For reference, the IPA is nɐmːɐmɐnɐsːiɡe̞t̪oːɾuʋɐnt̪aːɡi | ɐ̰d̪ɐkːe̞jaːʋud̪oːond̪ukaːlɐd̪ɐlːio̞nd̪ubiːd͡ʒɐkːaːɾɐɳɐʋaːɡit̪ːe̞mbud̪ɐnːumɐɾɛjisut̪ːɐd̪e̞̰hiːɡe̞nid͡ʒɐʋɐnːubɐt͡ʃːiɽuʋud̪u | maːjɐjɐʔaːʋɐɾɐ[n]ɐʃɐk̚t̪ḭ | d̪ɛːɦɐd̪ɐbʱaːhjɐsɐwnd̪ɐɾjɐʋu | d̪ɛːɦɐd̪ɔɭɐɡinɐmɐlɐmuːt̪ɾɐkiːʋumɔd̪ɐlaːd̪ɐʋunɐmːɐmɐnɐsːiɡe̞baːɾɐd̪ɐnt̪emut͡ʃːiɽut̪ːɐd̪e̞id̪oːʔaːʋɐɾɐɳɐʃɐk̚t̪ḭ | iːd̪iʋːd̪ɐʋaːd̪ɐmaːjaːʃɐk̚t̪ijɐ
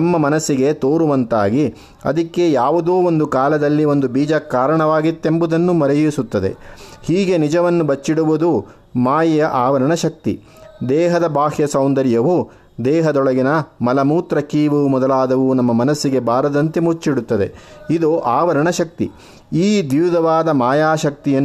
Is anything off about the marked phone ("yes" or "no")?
yes